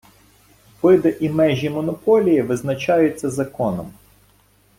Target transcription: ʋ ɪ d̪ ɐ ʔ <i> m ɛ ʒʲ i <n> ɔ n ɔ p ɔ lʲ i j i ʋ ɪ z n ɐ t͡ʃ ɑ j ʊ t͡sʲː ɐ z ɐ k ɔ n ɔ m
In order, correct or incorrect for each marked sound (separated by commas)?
correct, incorrect